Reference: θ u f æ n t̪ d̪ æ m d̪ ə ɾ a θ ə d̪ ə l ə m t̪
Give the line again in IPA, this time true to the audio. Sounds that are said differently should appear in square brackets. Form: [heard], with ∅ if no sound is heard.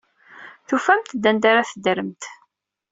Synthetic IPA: θ u f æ [m] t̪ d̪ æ [n] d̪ [a] ɾ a θ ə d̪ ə [ɾ] ə m t̪